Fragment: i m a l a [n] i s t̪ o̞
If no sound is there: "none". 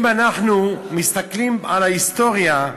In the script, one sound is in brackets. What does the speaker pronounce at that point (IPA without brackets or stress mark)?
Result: none